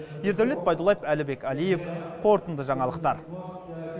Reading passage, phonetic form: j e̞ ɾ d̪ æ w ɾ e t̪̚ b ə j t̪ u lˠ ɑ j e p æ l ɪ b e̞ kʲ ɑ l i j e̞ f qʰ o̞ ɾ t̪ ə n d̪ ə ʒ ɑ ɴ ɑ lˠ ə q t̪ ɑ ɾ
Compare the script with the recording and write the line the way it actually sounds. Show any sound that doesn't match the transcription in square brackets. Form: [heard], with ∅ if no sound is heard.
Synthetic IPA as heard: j e̞ ɾ d̪ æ w [l] e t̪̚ b [ɑ] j [d̪] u lˠ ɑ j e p æ l ɪ b e̞ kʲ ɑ l i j e̞ f qʰ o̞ ɾ t̪ ə n d̪ ə ʒ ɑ ɴ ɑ lˠ ə q t̪ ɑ ɾ